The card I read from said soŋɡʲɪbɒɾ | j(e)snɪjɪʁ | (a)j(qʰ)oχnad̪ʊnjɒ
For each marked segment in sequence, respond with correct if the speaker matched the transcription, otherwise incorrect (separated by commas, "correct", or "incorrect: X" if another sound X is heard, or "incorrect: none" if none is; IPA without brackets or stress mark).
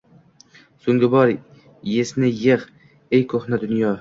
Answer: correct, incorrect: e, incorrect: kʰ